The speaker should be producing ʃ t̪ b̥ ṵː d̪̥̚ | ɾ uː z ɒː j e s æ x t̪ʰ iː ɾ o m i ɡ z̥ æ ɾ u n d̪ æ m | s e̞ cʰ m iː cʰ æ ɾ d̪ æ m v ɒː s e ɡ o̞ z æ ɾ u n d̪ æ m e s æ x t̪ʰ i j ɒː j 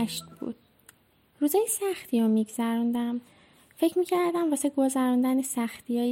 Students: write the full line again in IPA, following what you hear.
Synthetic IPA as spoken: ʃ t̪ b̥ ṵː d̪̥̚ | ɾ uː z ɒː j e s æ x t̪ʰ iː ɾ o m i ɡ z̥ æ ɾ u n d̪ æ m | f e̞ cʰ m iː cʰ æ ɾ d̪ æ m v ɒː s e ɡ o̞ z æ ɾ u n d̪ æ n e s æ x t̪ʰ i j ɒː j